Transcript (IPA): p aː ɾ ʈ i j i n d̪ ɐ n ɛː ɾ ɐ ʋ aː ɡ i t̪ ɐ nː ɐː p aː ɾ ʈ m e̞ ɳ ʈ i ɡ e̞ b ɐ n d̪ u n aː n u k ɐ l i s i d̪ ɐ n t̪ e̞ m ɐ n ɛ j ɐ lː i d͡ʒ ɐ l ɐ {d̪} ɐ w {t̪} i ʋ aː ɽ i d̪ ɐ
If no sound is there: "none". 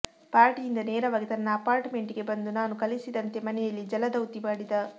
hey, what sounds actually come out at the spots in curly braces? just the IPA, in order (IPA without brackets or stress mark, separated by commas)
d̪, t̪